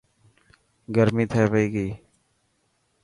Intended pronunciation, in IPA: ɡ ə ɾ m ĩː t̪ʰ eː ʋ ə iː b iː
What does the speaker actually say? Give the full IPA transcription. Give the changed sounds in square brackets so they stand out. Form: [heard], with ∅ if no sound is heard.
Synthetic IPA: ɡ ə ɾ m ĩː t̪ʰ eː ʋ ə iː [ɡ] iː